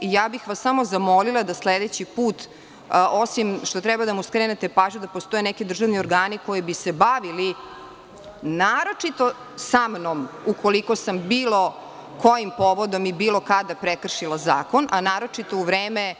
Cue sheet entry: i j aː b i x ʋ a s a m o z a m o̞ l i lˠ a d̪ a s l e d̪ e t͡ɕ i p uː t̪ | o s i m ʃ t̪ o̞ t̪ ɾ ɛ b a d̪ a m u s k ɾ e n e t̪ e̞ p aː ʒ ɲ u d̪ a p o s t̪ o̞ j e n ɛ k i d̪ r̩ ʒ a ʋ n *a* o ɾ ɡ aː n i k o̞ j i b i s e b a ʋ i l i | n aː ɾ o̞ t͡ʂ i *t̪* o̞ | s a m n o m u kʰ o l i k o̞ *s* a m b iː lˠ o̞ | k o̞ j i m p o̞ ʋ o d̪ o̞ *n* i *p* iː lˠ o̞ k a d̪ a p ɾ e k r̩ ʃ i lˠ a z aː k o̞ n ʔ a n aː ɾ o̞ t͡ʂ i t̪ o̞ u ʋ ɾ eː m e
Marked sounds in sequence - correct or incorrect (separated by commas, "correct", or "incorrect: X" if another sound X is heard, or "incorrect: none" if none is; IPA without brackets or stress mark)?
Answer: incorrect: i, correct, correct, incorrect: m, incorrect: b